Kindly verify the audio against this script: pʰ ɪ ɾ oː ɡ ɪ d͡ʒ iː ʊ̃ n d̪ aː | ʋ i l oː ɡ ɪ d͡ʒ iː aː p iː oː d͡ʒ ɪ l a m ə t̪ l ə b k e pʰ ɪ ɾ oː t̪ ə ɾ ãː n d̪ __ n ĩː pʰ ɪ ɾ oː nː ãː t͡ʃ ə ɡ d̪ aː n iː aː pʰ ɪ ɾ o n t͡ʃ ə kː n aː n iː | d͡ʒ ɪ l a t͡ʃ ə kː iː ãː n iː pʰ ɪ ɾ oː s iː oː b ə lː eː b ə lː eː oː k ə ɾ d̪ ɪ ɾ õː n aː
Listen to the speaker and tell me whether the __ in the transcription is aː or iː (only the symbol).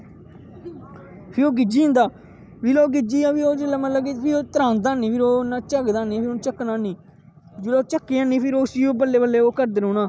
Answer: aː